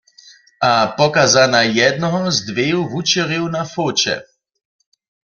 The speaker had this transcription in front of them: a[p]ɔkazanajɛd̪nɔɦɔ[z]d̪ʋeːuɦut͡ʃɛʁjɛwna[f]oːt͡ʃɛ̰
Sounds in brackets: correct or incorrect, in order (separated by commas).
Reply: correct, correct, correct